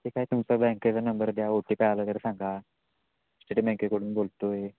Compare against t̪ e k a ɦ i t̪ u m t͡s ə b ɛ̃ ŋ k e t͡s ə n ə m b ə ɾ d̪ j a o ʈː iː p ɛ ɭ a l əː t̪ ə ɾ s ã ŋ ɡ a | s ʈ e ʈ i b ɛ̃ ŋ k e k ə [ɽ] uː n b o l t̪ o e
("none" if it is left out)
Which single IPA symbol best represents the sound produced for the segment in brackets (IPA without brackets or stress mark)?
ɽ